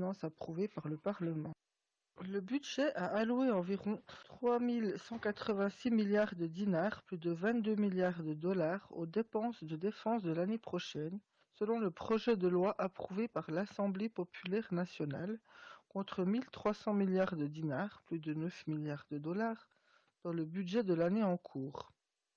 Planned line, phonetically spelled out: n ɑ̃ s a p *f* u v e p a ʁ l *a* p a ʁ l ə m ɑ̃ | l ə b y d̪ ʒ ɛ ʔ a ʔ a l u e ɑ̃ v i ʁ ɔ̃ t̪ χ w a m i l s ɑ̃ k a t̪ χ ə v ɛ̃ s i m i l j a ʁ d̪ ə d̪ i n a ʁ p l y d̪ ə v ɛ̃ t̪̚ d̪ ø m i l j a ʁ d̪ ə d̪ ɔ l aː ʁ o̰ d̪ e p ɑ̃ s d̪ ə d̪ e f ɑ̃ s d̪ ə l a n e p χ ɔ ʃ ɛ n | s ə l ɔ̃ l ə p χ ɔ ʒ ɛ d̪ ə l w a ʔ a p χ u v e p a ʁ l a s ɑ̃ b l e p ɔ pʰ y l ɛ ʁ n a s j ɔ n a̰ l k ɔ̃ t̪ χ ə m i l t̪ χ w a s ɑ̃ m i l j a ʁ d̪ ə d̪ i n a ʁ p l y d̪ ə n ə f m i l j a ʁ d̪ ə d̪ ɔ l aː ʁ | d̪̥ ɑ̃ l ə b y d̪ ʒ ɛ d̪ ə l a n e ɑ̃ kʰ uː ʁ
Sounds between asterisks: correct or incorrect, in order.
incorrect: χ, incorrect: ə

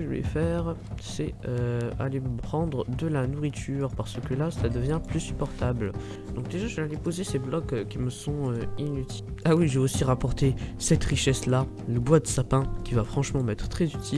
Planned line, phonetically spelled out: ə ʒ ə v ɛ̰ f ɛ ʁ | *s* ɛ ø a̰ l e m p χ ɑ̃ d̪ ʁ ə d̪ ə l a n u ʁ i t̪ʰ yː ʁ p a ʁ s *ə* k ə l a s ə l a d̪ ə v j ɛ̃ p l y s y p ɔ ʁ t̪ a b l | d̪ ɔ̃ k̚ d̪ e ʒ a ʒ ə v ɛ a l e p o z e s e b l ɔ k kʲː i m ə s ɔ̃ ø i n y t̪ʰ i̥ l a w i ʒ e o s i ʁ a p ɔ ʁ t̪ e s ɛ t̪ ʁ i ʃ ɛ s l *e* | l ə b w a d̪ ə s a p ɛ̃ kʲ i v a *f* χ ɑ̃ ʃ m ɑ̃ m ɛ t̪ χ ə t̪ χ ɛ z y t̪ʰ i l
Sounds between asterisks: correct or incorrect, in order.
correct, correct, incorrect: a, correct

